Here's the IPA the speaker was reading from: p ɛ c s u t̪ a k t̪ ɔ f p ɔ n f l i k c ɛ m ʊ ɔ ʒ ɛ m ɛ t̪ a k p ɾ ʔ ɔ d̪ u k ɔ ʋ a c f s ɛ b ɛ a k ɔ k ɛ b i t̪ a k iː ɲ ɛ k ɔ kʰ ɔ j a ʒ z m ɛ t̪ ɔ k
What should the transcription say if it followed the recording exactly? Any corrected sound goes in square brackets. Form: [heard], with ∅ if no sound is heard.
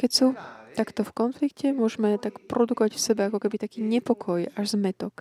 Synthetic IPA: [k] ɛ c s u t̪ a k t̪ ɔ f [k] ɔ n f l i k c ɛ m ʊ ɔ ʒ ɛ m ɛ t̪ a k p ɾ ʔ ɔ d̪ u k ɔ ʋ a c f s ɛ b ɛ a k ɔ k ɛ b i t̪ a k iː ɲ ɛ [p] ɔ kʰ ɔ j a ʒ z m ɛ t̪ ɔ k